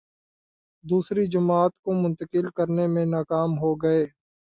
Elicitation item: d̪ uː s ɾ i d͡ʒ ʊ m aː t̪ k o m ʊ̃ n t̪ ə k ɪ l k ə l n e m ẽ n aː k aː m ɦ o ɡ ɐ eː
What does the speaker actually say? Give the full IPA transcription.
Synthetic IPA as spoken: d̪ uː s ɾ i d͡ʒ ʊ m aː t̪ k o m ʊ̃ n t̪ ə k ɪ l k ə ɾ n e m ẽ n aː k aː m ɦ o ɡ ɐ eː